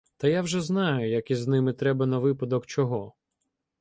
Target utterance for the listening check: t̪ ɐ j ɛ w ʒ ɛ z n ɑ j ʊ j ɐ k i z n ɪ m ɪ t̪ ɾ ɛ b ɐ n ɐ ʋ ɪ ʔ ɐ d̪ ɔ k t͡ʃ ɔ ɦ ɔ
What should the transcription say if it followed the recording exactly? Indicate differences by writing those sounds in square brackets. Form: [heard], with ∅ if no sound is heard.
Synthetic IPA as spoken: t̪ ɐ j [a] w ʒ ɛ z n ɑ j ʊ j ɐ k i z n ɪ m ɪ t̪ ɾ ɛ b ɐ n ɐ ʋ ɪ [p] ɐ d̪ ɔ k t͡ʃ ɔ ɦ ɔ